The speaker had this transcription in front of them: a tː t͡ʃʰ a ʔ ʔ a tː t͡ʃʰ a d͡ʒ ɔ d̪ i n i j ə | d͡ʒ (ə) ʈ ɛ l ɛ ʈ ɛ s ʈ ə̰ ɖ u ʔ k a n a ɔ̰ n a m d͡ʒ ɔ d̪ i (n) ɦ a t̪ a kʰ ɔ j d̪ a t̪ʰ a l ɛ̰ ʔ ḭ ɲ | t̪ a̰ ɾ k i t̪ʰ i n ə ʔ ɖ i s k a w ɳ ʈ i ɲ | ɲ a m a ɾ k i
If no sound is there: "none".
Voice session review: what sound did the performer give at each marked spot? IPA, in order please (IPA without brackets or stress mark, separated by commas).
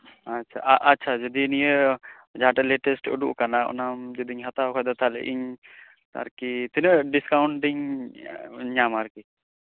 a, ɲ